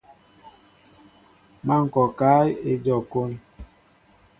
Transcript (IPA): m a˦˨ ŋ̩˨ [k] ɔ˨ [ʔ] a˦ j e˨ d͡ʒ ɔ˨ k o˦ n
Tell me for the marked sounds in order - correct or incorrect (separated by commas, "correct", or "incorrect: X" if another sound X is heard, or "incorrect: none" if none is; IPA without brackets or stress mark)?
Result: correct, incorrect: k